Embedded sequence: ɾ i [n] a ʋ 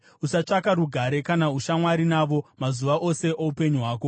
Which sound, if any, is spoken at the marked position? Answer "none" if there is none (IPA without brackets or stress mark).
n